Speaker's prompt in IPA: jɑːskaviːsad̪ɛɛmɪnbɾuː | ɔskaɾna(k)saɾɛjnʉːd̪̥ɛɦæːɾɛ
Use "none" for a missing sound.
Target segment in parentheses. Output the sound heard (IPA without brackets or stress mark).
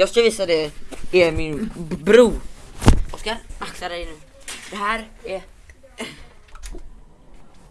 k